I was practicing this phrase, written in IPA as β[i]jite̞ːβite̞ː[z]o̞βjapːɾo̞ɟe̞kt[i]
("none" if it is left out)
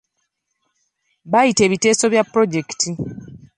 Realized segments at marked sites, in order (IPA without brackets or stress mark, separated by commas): a, s, i